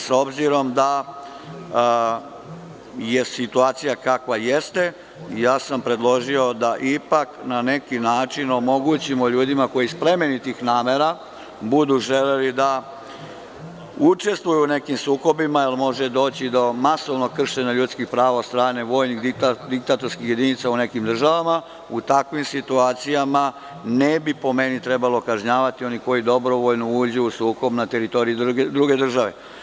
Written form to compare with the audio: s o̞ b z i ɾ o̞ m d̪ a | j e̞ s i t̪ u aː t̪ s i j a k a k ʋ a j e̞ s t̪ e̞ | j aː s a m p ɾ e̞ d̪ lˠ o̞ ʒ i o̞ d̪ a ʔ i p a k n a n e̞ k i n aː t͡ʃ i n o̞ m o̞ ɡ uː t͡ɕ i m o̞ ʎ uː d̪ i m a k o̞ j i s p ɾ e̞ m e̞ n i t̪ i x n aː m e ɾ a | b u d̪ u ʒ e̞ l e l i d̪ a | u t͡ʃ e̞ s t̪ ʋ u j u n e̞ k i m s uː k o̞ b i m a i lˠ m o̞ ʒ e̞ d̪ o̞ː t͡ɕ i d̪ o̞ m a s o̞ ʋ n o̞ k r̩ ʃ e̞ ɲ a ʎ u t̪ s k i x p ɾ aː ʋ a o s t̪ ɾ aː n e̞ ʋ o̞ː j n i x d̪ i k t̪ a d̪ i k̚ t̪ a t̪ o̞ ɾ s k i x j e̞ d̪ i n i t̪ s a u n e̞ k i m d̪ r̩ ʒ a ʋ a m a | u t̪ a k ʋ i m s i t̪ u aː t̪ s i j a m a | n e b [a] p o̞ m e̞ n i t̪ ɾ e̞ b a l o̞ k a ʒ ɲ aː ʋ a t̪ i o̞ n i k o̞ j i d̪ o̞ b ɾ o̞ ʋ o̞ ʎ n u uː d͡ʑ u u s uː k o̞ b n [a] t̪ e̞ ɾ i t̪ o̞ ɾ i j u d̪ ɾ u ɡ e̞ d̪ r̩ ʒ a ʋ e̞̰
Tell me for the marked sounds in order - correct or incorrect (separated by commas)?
incorrect, correct